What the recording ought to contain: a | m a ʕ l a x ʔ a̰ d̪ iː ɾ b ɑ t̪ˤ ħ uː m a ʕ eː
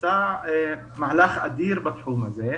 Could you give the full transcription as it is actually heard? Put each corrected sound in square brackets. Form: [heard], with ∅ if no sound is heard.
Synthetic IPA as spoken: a | m a ʕ l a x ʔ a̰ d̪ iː ɾ b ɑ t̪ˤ ħ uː m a [z] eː